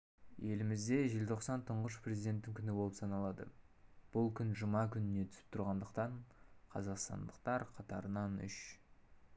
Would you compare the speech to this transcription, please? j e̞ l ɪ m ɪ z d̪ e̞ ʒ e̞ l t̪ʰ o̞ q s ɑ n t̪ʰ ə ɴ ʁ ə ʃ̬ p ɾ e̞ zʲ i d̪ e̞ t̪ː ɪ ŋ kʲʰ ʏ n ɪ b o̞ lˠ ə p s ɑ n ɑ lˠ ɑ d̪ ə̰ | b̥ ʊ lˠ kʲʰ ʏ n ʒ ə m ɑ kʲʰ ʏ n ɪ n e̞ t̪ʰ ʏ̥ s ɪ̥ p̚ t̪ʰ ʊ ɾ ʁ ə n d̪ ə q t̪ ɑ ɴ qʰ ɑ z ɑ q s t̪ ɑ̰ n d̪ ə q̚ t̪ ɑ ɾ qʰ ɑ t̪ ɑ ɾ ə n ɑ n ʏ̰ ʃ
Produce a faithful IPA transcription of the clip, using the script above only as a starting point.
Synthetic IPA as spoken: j e̞ l ɪ m ɪ z d̪ e̞ ʒ e̞ l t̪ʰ o̞ q s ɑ n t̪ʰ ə ɴ ʁ ə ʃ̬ p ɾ e̞ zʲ i d̪ e̞ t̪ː ɪ ŋ kʲʰ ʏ n ɪ b o̞ lˠ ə p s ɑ n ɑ lˠ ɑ d̪ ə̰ | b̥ ʊ lˠ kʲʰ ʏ n ʒ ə m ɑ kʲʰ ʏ n ɪ n e̞ t̪ʰ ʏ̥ s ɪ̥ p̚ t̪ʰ ʊ ɾ ʁ ɑ n d̪ ə q t̪ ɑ ɴ qʰ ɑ z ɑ q s t̪ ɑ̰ n d̪ ə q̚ t̪ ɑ ɾ qʰ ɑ t̪ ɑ ɾ ə n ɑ n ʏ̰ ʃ